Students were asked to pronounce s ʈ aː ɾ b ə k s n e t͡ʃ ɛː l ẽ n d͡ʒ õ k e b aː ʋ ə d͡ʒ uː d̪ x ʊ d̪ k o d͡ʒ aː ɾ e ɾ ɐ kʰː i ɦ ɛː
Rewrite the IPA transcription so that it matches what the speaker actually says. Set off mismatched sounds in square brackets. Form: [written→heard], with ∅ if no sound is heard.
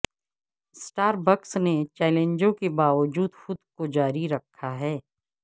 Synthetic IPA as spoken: s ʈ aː ɾ b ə k s n e t͡ʃ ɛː l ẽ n d͡ʒ õ k e b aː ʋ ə d͡ʒ uː d̪ x ʊ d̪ k o d͡ʒ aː ɾ [e→i] ɾ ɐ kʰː [i→a] ɦ ɛː